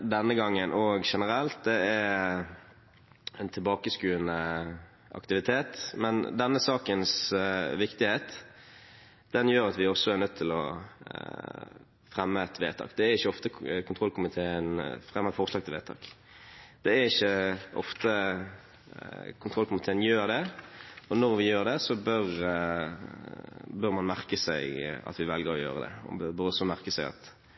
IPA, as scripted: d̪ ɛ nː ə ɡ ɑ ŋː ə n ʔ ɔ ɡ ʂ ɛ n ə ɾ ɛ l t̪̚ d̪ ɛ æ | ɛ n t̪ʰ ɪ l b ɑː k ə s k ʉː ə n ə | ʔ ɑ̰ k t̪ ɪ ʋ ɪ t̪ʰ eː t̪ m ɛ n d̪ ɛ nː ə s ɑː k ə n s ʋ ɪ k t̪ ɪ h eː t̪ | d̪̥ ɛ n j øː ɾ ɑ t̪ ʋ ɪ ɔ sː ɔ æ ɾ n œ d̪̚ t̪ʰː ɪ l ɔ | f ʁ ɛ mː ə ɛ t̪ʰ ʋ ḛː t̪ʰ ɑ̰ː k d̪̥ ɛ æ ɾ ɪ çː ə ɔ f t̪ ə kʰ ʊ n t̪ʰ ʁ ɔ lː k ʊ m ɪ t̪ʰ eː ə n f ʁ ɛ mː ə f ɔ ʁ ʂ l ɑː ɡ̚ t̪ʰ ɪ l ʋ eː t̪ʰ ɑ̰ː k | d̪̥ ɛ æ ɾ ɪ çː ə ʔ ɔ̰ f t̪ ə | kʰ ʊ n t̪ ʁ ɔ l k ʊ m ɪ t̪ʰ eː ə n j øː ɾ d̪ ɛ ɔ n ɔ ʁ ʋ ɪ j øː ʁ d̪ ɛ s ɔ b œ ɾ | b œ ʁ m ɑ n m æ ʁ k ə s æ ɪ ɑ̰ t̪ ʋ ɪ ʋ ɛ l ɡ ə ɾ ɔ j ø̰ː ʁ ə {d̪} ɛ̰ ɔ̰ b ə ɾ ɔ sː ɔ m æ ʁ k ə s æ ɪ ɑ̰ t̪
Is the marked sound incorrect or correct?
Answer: correct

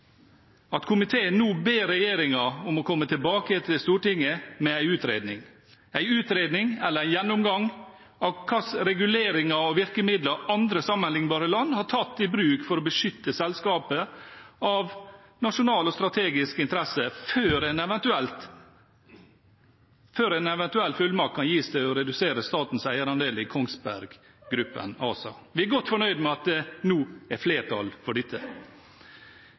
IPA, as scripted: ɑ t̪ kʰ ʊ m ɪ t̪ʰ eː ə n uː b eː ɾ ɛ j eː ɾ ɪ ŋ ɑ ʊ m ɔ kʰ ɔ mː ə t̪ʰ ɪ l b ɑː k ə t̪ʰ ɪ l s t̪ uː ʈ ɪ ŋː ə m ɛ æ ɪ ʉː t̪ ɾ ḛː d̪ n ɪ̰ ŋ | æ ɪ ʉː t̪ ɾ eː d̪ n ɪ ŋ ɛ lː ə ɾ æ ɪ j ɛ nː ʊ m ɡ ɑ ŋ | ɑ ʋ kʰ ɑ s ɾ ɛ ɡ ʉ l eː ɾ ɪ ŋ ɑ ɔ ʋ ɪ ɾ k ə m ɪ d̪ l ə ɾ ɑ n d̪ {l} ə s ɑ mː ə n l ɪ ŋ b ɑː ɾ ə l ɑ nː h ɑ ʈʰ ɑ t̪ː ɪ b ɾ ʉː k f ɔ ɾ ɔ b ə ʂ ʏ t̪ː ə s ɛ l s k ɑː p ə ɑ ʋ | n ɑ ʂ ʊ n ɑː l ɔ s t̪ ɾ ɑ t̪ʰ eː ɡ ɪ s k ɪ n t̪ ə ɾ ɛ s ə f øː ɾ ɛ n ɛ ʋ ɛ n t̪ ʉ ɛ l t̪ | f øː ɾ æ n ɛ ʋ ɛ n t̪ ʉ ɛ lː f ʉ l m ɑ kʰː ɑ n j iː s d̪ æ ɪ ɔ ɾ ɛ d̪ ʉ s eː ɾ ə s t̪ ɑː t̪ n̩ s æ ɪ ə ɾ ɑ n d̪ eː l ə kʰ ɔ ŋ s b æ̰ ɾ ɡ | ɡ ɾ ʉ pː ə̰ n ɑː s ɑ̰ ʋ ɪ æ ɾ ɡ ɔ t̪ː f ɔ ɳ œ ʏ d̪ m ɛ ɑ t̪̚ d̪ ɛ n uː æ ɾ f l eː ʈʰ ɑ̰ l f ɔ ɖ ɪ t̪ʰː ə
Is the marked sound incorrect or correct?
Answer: incorrect: ɾ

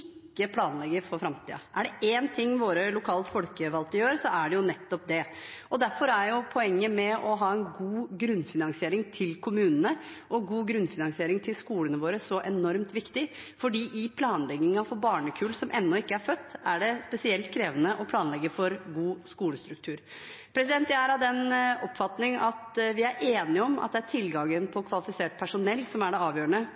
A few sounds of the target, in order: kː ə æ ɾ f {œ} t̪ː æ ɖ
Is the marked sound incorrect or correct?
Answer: correct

